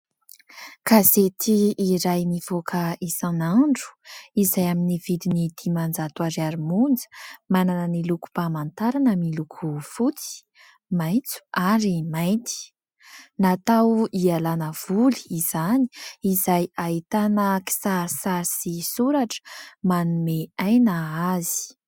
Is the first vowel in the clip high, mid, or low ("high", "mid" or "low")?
low